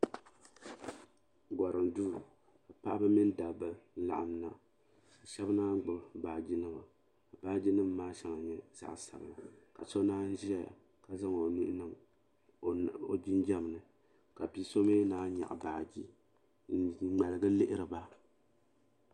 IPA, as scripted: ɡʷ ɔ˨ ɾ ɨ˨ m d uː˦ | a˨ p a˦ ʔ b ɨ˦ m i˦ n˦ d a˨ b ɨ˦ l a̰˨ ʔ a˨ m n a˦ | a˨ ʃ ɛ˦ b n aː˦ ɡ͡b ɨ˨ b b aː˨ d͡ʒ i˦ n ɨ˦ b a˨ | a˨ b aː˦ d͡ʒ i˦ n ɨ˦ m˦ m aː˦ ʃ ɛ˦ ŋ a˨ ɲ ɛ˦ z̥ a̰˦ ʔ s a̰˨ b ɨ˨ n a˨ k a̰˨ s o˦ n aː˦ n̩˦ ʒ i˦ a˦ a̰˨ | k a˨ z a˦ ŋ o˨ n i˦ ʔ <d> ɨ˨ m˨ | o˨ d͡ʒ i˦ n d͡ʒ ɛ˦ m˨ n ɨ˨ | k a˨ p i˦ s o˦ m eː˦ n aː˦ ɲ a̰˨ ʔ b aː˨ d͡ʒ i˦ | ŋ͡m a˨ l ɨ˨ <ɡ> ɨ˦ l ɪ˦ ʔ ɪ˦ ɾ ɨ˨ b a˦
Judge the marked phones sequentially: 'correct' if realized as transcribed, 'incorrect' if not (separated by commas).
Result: incorrect, correct